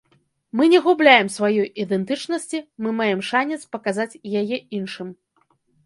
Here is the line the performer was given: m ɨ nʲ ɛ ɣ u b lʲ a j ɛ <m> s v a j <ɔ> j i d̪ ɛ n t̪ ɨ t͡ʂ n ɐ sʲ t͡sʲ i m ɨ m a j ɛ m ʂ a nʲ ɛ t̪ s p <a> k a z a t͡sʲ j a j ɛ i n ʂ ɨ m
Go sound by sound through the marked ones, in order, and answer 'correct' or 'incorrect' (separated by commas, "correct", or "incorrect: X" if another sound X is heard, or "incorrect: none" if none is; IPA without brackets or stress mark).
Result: correct, correct, incorrect: ɐ